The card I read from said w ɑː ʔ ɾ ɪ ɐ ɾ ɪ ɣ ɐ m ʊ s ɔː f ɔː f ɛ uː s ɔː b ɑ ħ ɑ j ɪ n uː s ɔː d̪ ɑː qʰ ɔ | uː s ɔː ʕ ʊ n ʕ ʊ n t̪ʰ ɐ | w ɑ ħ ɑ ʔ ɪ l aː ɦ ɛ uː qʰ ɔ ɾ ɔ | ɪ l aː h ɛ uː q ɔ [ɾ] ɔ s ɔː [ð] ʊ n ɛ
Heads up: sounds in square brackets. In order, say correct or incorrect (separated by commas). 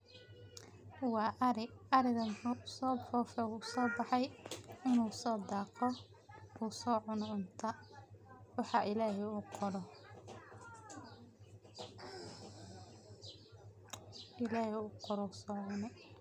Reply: correct, incorrect